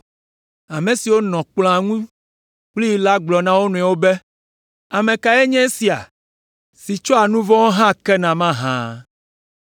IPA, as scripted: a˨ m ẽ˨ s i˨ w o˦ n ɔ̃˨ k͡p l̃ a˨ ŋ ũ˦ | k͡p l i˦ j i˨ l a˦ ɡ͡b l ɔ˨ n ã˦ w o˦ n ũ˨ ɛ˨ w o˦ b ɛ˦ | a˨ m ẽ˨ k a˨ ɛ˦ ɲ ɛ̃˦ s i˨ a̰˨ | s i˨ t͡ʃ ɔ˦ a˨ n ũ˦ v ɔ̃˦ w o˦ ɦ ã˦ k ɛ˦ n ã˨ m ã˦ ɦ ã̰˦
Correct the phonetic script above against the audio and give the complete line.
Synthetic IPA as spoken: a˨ m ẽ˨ s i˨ w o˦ n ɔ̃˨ k͡p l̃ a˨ ŋ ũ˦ | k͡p l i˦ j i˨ l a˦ ɡ͡b l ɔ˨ n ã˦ w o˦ n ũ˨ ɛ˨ w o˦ b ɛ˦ | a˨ m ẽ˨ k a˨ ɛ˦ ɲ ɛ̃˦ s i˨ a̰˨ | s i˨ t͡ʃ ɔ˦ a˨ n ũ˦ v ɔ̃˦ w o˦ ɦ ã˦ k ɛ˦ n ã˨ m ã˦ ɦ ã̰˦